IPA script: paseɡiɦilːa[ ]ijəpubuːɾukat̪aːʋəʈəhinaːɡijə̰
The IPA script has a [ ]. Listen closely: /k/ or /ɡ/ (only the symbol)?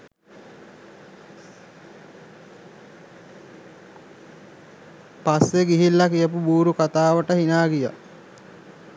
k